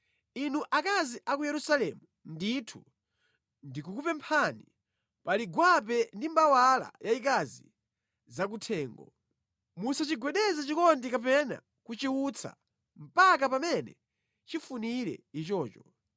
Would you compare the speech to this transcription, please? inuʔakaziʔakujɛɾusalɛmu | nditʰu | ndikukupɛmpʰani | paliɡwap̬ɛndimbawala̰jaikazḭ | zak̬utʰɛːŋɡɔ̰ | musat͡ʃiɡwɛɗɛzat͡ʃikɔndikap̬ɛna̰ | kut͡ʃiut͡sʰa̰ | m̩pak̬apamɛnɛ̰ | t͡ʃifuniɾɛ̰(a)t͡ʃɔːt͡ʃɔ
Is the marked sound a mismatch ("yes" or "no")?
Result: yes